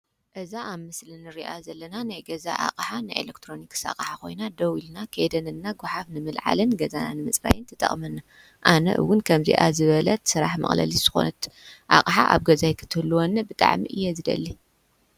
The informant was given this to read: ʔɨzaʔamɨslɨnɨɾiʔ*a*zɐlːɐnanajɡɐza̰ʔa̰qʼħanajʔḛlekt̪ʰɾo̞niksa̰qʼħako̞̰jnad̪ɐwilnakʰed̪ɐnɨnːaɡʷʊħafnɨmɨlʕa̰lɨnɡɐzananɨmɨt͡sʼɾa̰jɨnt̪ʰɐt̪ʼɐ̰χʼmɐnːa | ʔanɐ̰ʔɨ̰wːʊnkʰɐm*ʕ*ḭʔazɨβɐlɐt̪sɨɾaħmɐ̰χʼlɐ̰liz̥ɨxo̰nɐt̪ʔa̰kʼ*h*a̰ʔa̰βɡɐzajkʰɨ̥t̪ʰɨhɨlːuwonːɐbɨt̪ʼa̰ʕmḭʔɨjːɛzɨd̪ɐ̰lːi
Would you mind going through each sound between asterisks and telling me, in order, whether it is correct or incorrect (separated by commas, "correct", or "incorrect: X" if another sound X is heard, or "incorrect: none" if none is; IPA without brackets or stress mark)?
correct, incorrect: z, incorrect: ħ